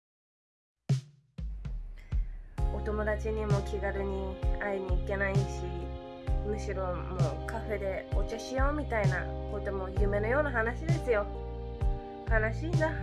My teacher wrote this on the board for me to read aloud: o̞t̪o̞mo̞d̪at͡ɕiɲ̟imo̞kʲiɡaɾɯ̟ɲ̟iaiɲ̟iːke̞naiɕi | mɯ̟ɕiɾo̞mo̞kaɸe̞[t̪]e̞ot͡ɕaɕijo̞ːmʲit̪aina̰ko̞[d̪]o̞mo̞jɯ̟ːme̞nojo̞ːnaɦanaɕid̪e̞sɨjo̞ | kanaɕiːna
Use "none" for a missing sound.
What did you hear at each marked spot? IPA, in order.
d̪, t̪

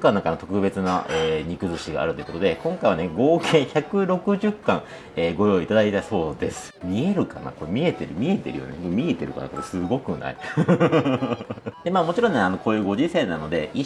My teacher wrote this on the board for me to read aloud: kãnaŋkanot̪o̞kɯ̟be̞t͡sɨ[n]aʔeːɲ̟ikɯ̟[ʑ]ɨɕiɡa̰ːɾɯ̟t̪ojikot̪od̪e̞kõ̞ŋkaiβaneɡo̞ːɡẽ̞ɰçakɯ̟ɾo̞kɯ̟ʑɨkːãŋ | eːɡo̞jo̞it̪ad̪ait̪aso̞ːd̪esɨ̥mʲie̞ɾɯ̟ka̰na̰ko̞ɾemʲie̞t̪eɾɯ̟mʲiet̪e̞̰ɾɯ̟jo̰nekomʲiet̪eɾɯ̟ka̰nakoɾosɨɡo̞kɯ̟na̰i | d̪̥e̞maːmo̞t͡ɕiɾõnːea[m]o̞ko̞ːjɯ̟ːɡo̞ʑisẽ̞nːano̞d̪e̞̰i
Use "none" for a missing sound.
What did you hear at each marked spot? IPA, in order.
n, z, n

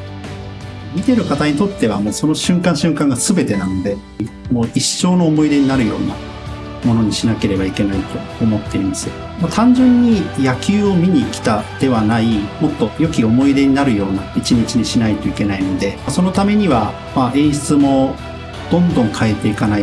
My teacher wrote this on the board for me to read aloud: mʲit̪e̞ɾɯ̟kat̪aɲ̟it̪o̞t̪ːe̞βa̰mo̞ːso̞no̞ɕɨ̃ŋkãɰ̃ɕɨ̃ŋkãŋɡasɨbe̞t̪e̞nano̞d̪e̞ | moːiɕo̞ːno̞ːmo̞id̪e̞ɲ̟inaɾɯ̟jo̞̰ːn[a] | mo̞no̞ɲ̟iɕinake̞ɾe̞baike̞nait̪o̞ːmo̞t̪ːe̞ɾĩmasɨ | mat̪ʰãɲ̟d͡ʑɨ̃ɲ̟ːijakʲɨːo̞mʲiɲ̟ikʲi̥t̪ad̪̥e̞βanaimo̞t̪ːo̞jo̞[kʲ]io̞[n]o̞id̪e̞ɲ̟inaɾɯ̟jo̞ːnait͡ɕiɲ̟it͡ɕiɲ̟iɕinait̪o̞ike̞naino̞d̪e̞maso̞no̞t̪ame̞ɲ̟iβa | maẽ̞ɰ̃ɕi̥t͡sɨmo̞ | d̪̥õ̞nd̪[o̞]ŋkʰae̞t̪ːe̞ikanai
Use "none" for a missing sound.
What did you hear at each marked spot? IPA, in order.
a, kʲ, m, õ̞

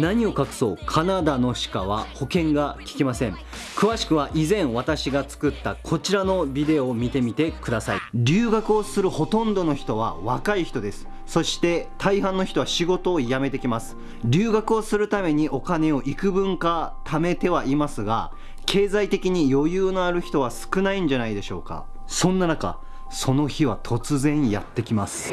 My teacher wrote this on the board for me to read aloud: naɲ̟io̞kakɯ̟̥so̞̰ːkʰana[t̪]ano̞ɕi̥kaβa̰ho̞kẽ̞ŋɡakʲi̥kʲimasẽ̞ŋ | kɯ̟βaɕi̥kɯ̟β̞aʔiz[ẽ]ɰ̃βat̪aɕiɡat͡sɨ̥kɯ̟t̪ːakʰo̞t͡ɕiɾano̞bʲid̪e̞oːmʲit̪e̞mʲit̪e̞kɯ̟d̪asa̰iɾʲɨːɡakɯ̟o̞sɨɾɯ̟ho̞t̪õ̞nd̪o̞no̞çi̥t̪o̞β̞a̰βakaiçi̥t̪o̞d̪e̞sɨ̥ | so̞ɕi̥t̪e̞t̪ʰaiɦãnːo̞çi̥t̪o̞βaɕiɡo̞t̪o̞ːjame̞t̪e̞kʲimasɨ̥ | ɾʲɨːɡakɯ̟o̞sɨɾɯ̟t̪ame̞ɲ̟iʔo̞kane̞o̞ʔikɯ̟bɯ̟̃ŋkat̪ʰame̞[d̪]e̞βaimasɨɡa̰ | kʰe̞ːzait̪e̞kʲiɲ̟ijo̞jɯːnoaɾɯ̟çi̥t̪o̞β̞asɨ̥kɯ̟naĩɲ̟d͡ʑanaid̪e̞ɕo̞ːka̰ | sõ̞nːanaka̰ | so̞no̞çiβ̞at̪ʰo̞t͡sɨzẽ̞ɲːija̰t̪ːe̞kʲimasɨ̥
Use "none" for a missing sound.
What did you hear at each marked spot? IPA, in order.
d̪, ẽ, t̪

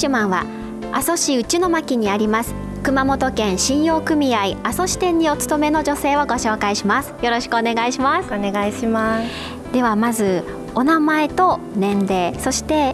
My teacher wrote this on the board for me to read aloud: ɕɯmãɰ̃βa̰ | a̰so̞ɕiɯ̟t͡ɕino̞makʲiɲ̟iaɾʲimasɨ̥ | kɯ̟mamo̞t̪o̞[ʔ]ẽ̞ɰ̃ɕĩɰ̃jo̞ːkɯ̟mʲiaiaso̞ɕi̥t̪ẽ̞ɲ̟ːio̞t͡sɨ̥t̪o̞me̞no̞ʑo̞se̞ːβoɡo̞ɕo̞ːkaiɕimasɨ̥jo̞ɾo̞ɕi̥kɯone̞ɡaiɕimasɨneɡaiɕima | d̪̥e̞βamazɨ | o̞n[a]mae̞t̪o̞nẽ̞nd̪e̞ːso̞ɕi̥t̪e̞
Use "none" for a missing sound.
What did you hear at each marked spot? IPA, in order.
k, a

